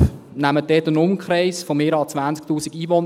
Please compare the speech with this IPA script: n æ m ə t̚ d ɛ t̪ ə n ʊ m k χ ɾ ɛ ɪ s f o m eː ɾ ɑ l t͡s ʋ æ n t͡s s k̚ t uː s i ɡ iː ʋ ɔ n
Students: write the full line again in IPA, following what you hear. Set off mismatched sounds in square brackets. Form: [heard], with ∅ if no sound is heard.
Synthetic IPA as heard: n æ m ə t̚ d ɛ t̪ ə n ʊ m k χ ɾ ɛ ɪ s f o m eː ɾ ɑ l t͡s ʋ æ n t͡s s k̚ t uː s i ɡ iː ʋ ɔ n